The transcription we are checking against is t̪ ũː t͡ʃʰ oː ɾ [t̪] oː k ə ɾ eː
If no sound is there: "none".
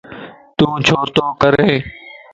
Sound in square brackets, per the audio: t̪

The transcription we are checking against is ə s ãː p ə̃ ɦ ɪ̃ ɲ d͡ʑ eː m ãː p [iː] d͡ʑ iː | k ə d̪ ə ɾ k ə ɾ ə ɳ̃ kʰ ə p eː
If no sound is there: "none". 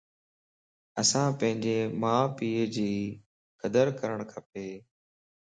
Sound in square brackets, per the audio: iː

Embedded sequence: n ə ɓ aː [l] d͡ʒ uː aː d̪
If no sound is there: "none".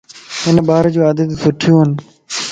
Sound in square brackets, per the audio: ɾ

